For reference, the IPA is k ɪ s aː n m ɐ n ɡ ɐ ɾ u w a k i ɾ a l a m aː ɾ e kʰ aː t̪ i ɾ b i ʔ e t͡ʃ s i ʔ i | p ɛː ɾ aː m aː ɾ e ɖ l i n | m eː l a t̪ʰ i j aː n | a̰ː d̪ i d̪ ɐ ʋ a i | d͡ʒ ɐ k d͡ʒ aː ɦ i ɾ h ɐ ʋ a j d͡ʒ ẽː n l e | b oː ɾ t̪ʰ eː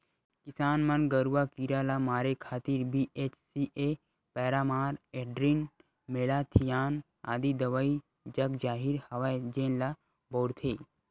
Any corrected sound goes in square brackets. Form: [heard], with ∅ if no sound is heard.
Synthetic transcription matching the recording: k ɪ s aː n m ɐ n ɡ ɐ ɾ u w a k i ɾ a l a m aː ɾ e kʰ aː t̪ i ɾ b i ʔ e t͡ʃ s i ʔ [e] | p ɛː ɾ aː m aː ɾ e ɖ [ɾ] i n | m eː l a t̪ʰ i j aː n | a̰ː d̪ i d̪ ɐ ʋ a i | d͡ʒ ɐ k d͡ʒ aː ɦ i ɾ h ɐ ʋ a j d͡ʒ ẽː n l [a] | b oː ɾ t̪ʰ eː